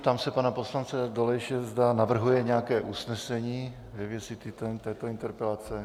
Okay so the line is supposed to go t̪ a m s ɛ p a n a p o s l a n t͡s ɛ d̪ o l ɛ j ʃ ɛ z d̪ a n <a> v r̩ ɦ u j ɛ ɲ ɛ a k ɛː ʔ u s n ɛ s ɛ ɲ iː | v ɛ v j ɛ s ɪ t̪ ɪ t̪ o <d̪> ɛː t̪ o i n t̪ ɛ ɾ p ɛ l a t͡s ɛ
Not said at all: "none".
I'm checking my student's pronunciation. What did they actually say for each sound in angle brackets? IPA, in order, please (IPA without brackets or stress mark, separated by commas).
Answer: a, t̪